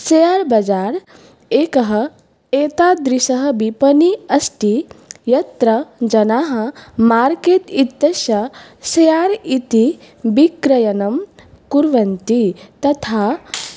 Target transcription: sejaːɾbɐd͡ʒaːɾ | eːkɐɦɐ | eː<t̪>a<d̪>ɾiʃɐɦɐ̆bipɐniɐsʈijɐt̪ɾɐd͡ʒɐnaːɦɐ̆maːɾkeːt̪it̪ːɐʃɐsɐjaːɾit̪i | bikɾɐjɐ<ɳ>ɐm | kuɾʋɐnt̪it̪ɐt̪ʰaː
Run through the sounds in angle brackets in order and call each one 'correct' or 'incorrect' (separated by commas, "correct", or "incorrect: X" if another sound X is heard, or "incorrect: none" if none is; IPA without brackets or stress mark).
correct, correct, incorrect: n